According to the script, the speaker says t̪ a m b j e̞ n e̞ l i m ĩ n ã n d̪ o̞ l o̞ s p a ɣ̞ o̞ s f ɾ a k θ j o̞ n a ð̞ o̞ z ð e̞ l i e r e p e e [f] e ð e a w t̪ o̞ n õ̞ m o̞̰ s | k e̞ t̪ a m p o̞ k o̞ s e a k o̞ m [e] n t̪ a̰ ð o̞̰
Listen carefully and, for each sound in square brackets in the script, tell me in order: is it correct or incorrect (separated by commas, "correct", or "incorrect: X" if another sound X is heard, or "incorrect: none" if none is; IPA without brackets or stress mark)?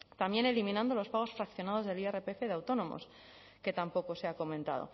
correct, incorrect: ẽ